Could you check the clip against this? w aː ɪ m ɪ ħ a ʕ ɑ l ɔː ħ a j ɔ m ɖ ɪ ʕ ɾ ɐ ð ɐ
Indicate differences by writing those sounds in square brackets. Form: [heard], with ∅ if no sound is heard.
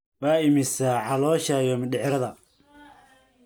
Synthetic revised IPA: w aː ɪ m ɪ [s] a ʕ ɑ l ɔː [ʃ] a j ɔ m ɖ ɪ ʕ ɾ ɐ ð ɐ